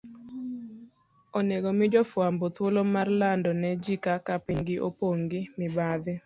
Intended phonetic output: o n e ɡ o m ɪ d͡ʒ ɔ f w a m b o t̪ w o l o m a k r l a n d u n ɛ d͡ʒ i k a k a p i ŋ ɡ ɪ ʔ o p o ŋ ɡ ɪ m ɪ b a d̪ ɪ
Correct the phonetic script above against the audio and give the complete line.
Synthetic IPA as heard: o n e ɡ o m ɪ d͡ʒ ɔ f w a m b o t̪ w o l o m a r l a n d ɔ n ɛ d͡ʒ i k a k a p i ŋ ɡ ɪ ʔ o p o ŋ ɡ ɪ m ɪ b a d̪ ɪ